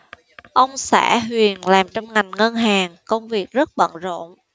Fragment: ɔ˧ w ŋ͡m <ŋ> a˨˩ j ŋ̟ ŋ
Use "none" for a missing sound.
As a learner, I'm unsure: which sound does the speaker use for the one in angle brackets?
ŋ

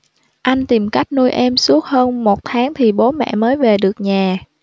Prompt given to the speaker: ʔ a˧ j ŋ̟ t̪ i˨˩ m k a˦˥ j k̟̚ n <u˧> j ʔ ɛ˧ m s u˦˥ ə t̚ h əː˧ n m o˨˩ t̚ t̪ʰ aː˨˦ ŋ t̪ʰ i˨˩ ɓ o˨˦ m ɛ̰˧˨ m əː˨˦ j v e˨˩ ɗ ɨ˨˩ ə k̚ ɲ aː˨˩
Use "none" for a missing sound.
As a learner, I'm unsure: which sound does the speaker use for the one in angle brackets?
u˧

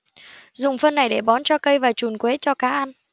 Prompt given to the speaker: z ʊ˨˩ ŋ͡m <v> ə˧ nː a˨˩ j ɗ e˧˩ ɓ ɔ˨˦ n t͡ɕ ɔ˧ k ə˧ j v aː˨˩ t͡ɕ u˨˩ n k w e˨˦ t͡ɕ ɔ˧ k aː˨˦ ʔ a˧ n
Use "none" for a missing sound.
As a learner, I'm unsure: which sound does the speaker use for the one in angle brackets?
f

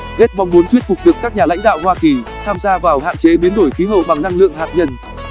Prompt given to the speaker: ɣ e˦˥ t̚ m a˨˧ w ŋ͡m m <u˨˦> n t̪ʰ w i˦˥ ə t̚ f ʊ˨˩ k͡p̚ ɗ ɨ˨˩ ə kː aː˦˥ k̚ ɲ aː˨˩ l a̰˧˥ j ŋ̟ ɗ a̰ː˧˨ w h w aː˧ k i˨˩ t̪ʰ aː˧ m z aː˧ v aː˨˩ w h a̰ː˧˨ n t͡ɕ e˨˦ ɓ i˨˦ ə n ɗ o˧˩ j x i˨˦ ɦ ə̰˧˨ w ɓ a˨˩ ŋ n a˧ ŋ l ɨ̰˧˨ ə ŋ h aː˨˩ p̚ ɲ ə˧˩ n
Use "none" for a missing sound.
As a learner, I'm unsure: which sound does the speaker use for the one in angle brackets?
u˨˦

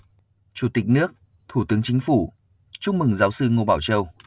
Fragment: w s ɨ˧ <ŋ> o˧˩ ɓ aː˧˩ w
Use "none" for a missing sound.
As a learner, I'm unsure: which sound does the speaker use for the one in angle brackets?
ŋ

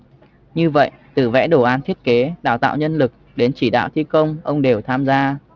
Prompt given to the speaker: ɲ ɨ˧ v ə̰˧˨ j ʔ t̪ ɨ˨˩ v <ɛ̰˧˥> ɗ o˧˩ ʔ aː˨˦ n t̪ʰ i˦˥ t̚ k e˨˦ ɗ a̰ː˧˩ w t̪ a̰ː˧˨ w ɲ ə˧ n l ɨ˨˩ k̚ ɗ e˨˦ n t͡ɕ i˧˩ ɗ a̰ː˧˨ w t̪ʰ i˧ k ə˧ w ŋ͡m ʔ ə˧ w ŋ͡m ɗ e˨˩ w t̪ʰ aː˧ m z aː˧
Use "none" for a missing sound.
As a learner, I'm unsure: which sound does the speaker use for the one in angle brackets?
ɛ̰˧˥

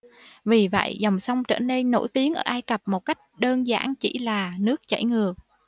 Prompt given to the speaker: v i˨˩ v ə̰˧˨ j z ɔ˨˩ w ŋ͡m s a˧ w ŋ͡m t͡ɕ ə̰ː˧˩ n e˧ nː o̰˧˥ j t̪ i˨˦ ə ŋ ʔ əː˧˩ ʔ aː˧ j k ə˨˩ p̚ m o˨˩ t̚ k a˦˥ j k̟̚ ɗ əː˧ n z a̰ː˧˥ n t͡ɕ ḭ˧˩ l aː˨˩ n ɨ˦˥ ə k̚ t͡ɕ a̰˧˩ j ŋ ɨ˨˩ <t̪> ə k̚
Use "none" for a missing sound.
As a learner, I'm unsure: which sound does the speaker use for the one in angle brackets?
none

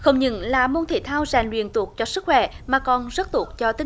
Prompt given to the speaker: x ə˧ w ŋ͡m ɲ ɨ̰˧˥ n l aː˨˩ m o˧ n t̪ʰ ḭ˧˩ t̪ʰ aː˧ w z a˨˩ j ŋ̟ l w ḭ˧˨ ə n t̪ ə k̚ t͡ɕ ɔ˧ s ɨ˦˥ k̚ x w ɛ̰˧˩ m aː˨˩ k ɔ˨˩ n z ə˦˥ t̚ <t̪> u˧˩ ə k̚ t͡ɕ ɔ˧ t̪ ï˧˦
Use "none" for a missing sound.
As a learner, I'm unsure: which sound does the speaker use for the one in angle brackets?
t̪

